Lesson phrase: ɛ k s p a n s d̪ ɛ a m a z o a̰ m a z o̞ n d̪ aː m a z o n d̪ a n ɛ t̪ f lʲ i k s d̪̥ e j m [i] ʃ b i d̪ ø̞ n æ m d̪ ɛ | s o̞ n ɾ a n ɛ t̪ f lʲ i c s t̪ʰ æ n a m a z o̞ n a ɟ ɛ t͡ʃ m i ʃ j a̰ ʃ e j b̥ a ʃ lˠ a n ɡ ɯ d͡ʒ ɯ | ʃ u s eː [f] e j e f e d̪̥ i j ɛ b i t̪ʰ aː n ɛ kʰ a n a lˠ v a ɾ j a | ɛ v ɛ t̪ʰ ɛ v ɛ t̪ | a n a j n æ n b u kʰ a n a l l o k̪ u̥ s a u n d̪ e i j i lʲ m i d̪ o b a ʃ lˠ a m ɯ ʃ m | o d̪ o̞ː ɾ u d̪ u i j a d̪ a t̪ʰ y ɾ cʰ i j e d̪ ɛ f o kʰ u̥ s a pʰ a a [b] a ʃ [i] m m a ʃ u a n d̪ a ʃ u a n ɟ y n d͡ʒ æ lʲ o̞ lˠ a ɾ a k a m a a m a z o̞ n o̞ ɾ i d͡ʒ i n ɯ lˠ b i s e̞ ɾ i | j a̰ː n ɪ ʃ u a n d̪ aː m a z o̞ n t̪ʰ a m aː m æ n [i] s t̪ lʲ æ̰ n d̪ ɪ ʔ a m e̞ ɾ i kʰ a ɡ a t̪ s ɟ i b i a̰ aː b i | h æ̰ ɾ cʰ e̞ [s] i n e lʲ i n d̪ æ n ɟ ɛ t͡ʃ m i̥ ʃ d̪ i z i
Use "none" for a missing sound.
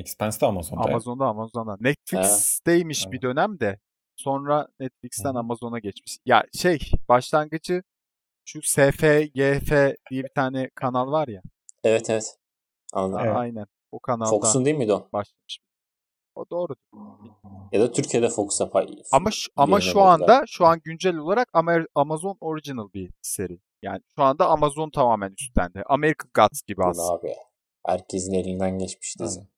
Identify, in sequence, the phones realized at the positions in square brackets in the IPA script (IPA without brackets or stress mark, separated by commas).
i, f, m, a, y, z